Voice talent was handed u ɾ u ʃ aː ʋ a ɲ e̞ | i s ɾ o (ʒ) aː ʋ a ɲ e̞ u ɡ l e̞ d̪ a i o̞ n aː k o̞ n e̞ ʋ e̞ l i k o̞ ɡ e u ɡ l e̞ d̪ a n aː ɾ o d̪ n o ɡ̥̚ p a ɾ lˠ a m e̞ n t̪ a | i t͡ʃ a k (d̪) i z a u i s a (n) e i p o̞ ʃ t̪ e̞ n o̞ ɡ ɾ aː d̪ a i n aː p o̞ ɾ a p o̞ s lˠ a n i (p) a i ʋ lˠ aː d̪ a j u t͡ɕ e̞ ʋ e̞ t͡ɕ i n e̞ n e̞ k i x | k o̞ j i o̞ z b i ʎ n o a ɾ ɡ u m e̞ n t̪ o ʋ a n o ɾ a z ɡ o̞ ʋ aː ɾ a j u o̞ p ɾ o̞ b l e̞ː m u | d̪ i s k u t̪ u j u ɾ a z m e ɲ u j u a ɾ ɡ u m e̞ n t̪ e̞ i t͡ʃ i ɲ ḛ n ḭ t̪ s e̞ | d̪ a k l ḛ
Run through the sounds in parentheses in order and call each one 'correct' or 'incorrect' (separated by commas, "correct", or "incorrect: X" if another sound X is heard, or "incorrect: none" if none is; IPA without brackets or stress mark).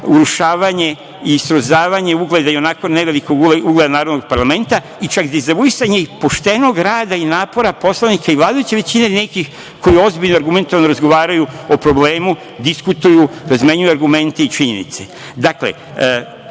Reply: incorrect: z, correct, incorrect: ɲ, incorrect: k